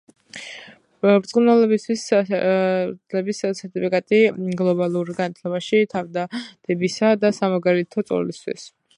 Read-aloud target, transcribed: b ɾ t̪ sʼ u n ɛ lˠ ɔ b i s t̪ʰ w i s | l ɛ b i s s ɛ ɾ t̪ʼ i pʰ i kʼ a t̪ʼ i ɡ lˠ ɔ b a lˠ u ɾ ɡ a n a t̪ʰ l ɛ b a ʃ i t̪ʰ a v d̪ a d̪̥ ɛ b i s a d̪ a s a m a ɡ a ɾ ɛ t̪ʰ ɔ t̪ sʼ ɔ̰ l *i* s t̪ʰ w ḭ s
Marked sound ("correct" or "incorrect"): correct